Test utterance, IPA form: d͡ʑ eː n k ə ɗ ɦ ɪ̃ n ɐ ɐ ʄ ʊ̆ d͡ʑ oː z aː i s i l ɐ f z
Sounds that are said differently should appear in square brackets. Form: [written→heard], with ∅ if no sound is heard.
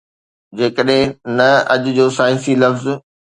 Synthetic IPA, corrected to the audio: d͡ʑ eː [n→∅] k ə ɗ ɦ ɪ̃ n ɐ ɐ ʄ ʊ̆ d͡ʑ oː [z→s] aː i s i l ɐ f z